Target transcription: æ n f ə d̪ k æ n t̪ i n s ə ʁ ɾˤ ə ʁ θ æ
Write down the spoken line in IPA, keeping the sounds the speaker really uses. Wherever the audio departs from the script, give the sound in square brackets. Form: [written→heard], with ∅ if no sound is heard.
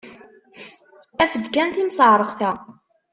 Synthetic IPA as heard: æ [n→∅] f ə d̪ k æ n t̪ i [n→m] s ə [ʁ→ʕ] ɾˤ ə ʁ θ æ